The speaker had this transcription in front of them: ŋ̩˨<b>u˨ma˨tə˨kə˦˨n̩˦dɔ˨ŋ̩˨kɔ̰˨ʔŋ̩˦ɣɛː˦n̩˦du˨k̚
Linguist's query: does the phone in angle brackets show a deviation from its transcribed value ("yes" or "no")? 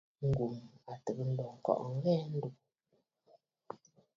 yes